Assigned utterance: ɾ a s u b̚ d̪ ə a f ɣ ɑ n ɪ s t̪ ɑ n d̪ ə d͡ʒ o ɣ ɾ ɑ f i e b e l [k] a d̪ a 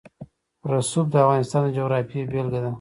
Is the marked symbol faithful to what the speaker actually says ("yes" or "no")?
no